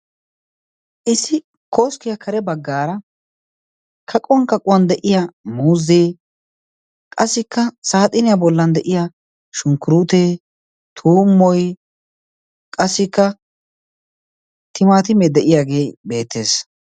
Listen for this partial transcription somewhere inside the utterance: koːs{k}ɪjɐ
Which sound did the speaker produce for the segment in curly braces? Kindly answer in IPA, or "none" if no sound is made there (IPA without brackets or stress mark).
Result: k